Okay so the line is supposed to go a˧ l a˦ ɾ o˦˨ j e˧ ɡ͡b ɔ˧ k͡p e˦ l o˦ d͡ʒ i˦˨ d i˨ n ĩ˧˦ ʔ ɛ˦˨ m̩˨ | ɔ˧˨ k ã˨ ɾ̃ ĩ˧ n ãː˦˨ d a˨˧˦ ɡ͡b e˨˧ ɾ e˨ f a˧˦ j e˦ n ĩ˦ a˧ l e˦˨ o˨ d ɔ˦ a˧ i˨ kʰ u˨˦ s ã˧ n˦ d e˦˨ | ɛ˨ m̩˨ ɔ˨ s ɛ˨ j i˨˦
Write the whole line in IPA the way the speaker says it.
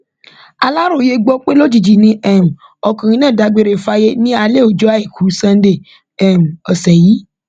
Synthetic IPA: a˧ l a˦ ɾ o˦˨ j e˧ ɡ͡b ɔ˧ k͡p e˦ l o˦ d͡ʒ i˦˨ d͡ʒ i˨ n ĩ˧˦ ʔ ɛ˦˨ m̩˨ | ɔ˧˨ k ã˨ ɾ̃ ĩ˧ n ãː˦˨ d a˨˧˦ ɡ͡b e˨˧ ɾ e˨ f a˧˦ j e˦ n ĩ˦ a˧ l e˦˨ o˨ d͡ʒ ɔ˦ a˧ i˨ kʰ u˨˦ s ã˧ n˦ d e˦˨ | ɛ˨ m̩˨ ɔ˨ s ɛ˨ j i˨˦